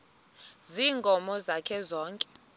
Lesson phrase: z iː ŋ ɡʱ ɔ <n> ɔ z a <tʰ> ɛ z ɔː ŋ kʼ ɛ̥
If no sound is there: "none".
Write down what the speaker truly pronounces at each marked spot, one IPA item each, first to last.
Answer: m, kʰ

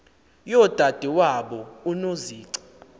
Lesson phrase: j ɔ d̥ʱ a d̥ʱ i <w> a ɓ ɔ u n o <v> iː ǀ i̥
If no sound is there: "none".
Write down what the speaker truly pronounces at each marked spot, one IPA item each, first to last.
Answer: w, z

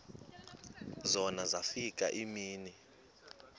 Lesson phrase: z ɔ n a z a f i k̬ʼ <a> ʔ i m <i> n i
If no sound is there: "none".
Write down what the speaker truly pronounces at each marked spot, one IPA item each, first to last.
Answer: a, iː

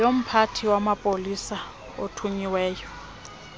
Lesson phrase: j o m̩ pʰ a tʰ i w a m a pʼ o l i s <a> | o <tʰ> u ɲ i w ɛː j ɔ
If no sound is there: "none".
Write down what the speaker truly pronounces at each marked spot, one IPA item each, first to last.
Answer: a, tʰ

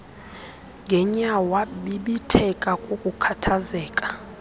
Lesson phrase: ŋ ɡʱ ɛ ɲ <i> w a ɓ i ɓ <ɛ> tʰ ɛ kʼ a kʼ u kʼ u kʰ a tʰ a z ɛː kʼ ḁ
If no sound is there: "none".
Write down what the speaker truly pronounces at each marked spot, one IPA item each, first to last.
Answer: a, i

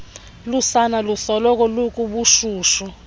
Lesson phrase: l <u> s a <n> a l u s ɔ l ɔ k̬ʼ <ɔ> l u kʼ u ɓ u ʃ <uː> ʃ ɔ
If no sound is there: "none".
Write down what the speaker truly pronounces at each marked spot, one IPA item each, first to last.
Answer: u, n, ɔ, uː

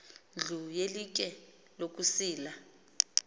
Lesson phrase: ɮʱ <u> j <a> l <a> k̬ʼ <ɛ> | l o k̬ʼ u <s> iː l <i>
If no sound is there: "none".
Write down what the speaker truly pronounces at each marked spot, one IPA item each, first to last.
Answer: u, e, i, ɛ, s, a

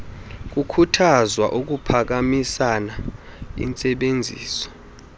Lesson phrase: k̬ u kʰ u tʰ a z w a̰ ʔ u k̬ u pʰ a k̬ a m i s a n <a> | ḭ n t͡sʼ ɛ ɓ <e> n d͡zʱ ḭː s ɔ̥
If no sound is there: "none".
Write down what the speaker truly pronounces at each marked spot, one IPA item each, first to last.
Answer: a, e

